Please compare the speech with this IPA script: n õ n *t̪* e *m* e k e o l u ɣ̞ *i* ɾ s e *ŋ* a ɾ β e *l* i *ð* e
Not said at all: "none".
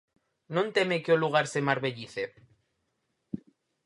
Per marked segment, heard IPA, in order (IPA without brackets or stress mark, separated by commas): t̪, m, a, m, ʎ, θ